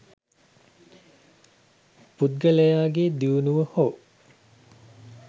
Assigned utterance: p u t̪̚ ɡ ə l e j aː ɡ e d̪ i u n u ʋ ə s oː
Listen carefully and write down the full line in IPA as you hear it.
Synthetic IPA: p u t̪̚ ɡ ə l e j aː ɡ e d̪ i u n u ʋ ə h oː